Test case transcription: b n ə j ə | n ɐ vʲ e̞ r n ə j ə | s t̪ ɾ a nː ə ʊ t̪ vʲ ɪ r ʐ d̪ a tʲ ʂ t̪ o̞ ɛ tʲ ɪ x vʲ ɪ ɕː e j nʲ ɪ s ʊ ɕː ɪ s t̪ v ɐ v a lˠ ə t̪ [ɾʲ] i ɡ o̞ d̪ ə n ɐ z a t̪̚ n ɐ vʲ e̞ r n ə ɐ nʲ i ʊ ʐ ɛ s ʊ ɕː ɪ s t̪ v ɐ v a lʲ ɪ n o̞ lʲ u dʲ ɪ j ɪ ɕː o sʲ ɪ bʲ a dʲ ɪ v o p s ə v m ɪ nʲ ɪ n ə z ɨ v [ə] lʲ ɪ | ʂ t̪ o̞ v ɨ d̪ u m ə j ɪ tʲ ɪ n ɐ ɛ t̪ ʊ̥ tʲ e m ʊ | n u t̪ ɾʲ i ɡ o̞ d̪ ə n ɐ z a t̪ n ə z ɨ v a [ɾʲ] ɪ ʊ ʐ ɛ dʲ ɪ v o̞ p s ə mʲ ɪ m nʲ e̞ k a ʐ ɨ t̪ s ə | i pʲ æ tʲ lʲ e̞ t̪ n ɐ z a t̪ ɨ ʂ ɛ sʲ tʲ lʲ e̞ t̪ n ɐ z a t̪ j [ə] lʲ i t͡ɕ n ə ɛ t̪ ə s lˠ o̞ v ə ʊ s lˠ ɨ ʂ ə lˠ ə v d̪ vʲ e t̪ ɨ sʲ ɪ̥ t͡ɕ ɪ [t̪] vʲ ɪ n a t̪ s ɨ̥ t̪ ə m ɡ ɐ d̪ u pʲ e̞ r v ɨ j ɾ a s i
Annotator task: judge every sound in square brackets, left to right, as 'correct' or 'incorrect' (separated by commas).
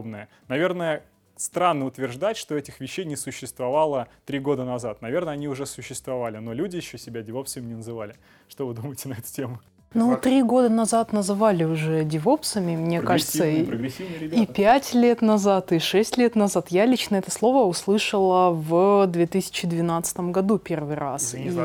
correct, incorrect, incorrect, incorrect, incorrect